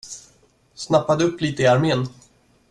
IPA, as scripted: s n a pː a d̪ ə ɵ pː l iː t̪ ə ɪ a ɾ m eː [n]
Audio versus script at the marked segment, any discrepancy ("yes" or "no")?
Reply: no